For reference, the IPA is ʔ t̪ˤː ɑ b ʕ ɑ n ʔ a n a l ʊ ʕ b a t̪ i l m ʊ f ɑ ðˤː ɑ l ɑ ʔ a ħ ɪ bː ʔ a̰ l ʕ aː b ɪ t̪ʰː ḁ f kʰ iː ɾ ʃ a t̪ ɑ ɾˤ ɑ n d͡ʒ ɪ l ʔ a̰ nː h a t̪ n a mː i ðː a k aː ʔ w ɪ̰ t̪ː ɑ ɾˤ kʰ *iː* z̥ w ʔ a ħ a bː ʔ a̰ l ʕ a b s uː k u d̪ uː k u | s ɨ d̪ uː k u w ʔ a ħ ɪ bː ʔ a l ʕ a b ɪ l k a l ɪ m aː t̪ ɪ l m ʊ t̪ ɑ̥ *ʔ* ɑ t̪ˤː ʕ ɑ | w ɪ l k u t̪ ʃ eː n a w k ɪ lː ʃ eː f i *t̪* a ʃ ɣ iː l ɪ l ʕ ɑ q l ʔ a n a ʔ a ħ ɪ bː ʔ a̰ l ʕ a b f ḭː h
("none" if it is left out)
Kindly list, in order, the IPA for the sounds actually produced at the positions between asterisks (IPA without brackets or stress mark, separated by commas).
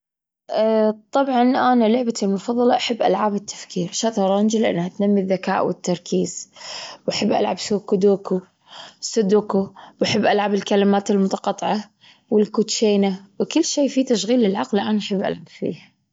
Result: iː, q, t̪